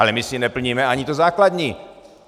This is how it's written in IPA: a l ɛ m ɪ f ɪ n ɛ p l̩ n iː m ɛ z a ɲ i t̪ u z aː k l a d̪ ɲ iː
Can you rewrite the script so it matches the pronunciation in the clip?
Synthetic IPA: a l ɛ m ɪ s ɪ n ɛ p l̩ ɲ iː m ɛ a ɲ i t̪ o z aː k l a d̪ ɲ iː